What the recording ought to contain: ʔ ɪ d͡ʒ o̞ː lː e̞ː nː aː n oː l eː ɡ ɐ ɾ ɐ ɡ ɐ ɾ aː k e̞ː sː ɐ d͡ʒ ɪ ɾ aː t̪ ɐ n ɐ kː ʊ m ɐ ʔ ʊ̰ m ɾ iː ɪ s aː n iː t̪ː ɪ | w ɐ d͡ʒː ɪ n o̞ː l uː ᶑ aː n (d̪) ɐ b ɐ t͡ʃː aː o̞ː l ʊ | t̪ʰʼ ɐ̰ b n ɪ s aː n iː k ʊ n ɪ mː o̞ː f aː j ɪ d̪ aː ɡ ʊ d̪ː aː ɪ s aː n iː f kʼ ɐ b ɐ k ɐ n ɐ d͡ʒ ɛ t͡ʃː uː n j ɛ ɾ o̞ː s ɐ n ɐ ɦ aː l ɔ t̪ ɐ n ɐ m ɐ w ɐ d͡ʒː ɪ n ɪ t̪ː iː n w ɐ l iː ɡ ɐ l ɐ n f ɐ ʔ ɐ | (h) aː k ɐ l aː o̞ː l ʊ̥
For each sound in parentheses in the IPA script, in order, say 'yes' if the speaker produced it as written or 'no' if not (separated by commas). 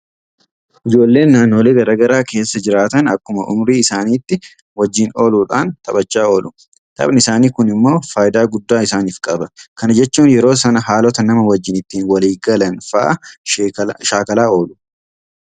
no, no